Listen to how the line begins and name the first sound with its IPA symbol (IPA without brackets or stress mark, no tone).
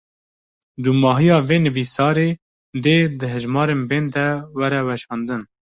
d̪